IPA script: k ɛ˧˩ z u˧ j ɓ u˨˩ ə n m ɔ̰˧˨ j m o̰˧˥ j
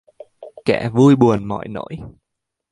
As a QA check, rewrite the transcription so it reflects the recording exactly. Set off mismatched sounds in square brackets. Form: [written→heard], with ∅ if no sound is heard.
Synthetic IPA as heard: k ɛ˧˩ [z→v] u˧ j ɓ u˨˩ ə n m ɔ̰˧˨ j [m→n] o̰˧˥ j